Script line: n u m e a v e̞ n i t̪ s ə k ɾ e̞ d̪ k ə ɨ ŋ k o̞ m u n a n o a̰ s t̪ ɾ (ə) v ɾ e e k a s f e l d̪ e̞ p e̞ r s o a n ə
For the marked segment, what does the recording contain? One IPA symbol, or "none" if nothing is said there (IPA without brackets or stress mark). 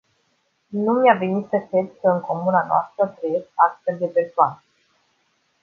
ə